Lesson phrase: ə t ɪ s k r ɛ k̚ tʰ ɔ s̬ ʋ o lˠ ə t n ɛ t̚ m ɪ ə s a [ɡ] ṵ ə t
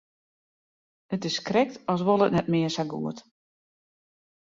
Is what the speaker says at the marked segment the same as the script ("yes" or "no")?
yes